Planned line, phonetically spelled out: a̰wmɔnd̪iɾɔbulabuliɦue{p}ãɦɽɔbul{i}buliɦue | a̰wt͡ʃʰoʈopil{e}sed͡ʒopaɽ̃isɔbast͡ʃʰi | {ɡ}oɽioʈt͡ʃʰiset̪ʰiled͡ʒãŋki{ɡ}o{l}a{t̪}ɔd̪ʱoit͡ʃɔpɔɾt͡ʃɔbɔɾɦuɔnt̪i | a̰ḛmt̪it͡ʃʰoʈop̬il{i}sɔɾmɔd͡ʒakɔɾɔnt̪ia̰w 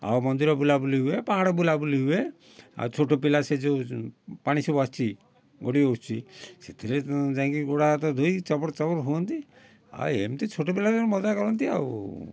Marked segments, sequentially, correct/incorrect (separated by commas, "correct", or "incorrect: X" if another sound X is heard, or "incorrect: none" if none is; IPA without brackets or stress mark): correct, incorrect: a, incorrect: a, correct, correct, incorrect: ɽ, correct, incorrect: a